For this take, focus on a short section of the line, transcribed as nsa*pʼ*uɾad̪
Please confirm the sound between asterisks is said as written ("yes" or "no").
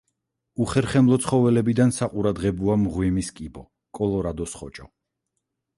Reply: no